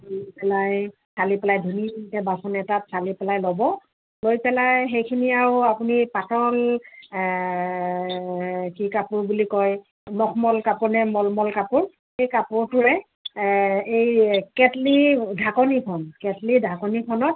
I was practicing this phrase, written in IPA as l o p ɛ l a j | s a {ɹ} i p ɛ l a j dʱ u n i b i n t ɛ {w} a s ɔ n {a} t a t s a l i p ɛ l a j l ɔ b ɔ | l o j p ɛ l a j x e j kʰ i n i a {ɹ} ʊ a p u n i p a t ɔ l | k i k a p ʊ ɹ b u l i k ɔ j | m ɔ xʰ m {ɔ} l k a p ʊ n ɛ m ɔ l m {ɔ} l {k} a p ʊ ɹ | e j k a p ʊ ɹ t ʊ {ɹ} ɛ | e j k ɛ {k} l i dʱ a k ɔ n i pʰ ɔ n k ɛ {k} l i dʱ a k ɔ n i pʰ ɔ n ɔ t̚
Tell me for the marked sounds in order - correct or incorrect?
incorrect, incorrect, incorrect, correct, correct, correct, correct, correct, incorrect, incorrect

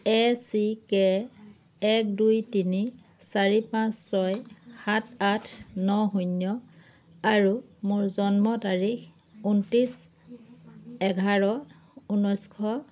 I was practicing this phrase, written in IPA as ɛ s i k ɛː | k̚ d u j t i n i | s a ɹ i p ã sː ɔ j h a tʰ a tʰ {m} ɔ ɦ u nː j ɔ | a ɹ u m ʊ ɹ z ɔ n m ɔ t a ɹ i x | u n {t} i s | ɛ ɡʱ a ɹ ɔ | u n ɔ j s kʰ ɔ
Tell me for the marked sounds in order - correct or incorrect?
incorrect, correct

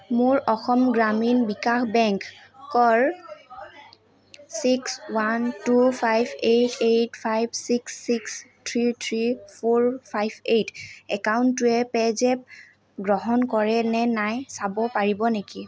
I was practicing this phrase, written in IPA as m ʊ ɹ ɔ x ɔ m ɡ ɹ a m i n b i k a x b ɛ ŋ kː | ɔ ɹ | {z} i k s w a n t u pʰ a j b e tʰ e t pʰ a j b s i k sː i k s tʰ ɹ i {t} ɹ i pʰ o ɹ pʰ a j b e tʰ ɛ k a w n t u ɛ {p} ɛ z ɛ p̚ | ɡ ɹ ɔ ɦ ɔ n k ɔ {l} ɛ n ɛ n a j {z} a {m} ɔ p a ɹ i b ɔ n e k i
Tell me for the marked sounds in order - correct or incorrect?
incorrect, incorrect, correct, incorrect, incorrect, incorrect

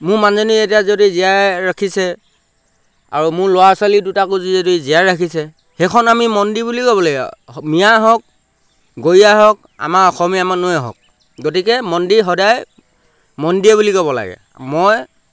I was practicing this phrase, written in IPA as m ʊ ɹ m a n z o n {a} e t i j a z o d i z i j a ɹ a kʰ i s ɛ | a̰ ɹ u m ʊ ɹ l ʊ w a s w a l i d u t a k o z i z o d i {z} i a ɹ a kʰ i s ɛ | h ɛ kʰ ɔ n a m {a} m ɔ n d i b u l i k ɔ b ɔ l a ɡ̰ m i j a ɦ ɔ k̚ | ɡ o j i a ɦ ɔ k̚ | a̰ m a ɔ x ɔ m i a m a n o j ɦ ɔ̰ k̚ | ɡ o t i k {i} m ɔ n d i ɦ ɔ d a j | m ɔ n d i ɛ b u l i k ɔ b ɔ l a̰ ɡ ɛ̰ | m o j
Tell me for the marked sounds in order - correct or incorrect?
incorrect, correct, incorrect, incorrect

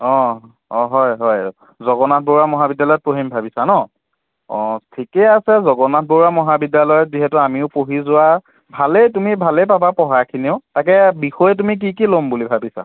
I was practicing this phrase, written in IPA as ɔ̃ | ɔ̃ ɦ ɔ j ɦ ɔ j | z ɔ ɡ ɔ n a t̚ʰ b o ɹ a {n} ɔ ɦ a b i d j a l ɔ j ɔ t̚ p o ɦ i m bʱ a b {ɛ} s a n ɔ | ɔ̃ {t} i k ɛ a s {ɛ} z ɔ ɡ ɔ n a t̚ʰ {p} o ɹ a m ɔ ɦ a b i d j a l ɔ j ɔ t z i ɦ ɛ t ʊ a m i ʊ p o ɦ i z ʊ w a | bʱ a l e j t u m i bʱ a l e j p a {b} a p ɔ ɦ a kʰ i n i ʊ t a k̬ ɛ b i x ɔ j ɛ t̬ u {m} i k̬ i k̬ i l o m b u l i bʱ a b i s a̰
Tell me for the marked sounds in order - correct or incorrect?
incorrect, incorrect, incorrect, correct, incorrect, correct, correct

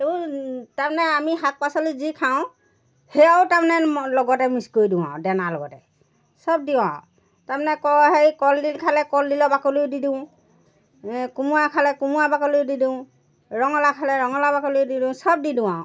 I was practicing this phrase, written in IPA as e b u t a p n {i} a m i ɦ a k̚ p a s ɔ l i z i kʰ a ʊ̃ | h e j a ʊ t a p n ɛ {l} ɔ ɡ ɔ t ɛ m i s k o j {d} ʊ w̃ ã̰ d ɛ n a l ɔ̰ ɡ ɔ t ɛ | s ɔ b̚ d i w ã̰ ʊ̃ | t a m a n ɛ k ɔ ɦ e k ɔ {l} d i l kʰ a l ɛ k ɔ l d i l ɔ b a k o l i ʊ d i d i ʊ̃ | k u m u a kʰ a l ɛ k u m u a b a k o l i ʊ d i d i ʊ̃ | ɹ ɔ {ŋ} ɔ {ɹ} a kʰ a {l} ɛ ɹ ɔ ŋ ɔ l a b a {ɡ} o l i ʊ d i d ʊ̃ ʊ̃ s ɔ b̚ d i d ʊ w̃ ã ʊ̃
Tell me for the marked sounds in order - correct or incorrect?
incorrect, correct, correct, correct, correct, incorrect, correct, incorrect

